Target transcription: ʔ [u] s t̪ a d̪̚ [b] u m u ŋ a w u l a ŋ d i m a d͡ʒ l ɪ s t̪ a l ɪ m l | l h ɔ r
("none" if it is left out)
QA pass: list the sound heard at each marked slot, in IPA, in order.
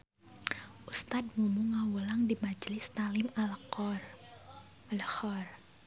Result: u, m

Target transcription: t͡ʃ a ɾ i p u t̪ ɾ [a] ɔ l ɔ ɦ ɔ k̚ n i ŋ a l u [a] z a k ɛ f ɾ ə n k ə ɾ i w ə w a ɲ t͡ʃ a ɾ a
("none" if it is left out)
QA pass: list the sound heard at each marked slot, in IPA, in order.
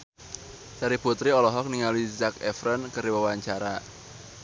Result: i, i

